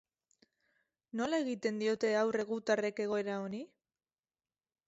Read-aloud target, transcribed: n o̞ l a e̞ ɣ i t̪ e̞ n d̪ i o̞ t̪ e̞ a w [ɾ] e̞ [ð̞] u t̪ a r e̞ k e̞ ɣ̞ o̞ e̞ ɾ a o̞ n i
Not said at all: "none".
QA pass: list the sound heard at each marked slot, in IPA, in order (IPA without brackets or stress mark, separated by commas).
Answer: r, ɣ̞